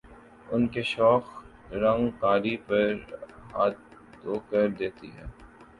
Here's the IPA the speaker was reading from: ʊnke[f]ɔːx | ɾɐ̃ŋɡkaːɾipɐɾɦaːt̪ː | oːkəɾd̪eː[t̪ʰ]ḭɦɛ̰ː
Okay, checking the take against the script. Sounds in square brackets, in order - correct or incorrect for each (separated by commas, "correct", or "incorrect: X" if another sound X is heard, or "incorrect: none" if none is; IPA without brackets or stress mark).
incorrect: ʃ, incorrect: t̪